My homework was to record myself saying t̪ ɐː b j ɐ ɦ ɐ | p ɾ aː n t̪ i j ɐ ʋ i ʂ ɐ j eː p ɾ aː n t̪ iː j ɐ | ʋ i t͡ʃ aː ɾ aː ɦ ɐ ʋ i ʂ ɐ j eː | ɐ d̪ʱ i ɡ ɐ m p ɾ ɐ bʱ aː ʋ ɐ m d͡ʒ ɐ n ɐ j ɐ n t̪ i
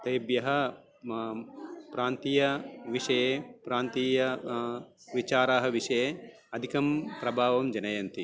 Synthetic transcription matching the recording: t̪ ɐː b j ɐ ɦ ɐ | p ɾ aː n t̪ i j ɐ ʋ i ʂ ɐ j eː p ɾ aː n t̪ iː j ɐ | ʋ i t͡ʃ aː ɾ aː ɦ ɐ ʋ i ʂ ɐ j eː | ɐ d̪ʱ i k ɐ m p ɾ ɐ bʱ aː ʋ ɐ m d͡ʒ ɐ n ɐ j ɐ n t̪ i

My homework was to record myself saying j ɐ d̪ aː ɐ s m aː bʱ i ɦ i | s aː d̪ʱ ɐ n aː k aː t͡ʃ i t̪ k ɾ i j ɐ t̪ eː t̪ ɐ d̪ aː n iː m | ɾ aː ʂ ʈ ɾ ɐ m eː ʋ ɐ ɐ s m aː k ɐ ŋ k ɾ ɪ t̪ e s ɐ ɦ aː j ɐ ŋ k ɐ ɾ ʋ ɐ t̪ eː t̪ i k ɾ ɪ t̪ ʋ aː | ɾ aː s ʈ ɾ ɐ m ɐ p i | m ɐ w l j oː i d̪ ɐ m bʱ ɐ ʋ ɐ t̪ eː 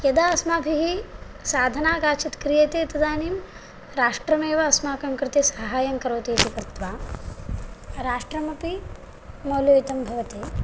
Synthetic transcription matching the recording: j ɐ d̪ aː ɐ s m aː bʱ i ɦ i | s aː d̪ʱ ɐ n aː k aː t͡ʃ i t̪ k ɾ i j ɐ t̪ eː t̪ ɐ d̪ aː n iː m | ɾ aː ʂ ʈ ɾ ɐ m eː ʋ ɐ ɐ s m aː k ɐ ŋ k ɾ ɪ t̪ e s ɐ ɦ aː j ɐ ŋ k ɐ ɾ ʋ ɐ t̪ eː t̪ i k ɾ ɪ t̪ ʋ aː | ɾ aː ʂ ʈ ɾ ɐ m ɐ p i | m ɐ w l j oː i t̪ ɐ m bʱ ɐ ʋ ɐ t̪ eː

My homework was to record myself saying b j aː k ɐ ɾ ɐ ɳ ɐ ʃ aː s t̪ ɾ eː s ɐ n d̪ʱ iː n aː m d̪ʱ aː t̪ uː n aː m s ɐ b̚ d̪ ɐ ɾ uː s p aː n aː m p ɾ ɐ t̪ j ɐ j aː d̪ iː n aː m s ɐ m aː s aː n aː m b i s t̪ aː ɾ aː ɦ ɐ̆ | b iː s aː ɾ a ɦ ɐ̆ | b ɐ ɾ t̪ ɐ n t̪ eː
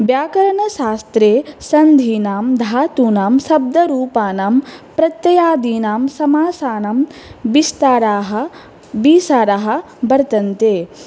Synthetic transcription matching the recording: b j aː k ɐ ɾ ɐ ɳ ɐ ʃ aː s t̪ ɾ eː s ɐ n d̪ʱ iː n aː m d̪ʱ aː t̪ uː n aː m s ɐ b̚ d̪ ɐ ɾ uː p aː n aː m p ɾ ɐ t̪ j ɐ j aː d̪ iː n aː m s ɐ m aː s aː n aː m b i s t̪ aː ɾ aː ɦ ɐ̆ | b iː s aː ɾ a ɦ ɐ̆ | b ɐ ɾ t̪ ɐ n t̪ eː

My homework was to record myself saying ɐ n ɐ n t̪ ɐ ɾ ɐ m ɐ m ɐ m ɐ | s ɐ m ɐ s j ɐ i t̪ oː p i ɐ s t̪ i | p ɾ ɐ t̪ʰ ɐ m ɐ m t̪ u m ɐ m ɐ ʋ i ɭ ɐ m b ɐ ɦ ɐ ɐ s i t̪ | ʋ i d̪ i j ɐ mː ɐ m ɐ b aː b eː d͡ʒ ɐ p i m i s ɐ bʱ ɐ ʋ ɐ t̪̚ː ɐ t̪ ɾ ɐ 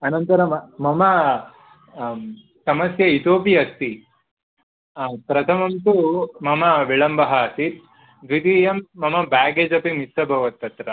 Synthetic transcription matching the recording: ɐ n ɐ n t̪ ɐ ɾ ɐ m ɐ m ɐ m ɐ | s ɐ m ɐ s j ɐ i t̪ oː p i ɐ s t̪ i | p ɾ ɐ t̪ʰ ɐ m ɐ m t̪ u m ɐ m ɐ ʋ i ɭ ɐ m b ɐ ɦ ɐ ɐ s i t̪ | ʋ i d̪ i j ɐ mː ɐ m ɐ b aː ɡ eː d͡ʒ ɐ p i m i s ɐ bʱ ɐ ʋ ɐ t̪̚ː ɐ t̪ ɾ ɐ

